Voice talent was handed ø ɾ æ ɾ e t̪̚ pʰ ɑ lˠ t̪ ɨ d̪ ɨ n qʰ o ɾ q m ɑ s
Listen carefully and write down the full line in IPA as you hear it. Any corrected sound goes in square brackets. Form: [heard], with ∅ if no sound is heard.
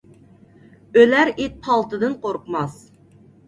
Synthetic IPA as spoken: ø [l] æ ɾ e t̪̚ pʰ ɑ lˠ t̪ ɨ d̪ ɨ n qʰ o ɾ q m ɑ s